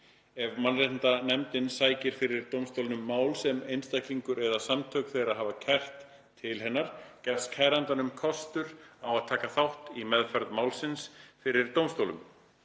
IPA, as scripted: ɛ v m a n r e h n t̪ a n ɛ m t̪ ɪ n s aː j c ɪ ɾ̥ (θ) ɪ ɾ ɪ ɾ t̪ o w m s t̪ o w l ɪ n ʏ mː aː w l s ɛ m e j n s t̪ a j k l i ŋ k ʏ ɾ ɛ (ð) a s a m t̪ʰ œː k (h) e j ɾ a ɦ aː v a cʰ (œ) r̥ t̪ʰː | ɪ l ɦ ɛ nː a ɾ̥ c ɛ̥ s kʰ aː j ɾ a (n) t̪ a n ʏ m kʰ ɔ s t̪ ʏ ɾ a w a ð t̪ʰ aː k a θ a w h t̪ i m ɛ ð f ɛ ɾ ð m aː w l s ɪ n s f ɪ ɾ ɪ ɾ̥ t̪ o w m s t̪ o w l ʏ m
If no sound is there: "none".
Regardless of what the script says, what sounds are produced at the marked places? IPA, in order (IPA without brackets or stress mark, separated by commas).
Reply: f, ð, θ, ɛ, n